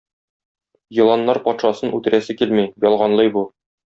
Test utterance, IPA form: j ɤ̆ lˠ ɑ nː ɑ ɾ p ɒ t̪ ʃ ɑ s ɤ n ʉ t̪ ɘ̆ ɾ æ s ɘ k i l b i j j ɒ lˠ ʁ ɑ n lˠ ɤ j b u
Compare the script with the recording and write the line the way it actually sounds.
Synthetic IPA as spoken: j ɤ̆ lˠ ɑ nː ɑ ɾ p ɒ t̪ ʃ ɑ s ɤ n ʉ t̪ ɘ̆ ɾ æ s ɘ k i l m i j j ɒ lˠ ʁ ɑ n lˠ ɤ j b u